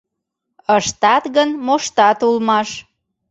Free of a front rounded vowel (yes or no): yes